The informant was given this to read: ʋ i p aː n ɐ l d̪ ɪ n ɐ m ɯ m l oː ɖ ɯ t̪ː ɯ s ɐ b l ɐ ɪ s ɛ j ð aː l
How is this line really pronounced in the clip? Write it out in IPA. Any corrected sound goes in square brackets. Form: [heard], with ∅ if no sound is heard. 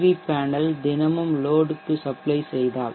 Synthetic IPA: ʋ i p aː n ɐ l d̪ ɪ n ɐ m ɯ m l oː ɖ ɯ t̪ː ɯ s ɐ [p] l ɐ ɪ s ɛ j ð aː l

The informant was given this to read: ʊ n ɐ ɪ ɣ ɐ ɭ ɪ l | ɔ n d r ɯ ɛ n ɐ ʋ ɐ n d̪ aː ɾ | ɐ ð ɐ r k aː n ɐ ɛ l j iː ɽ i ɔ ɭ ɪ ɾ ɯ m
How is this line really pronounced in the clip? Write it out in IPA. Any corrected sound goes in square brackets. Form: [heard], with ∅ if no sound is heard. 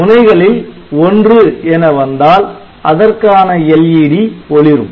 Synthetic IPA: ʊ n ɐ ɪ ɣ ɐ ɭ ɪ l | ɔ n d r ɯ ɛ n ɐ ʋ ɐ n d̪ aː [l] | ɐ ð ɐ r k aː n ɐ ɛ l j iː ɽ i ɔ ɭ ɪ ɾ ɯ m

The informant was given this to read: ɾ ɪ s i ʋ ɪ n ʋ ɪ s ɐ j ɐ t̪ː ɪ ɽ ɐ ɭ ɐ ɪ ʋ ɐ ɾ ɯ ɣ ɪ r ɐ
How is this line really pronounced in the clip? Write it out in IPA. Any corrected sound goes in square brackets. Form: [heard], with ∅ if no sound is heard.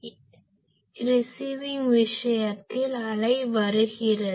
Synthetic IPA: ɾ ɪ s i ʋ ɪ [ŋ] ʋ ɪ [ʂ] ɐ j ɐ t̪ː ɪ [l] ɐ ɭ ɐ ɪ ʋ ɐ ɾ ɯ ɣ ɪ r ɐ

